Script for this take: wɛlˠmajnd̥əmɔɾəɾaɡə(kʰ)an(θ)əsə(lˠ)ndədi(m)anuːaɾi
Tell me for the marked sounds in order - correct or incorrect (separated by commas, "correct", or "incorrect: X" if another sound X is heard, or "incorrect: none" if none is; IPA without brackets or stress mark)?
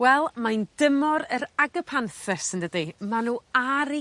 incorrect: pʰ, correct, incorrect: none, correct